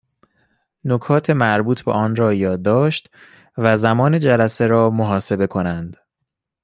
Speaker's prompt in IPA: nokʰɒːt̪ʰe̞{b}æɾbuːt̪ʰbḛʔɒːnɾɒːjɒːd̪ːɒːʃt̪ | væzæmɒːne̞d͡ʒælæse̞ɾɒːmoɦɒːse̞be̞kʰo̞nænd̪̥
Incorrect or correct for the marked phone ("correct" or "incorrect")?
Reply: incorrect